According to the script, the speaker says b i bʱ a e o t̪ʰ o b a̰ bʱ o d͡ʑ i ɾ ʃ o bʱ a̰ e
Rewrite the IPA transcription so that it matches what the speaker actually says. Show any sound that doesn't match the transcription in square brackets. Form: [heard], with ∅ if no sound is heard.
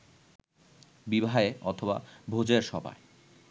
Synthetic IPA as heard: b i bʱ a e [ɔ] t̪ʰ o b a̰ bʱ o d͡ʑ [e] ɾ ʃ [ɔ] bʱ a̰ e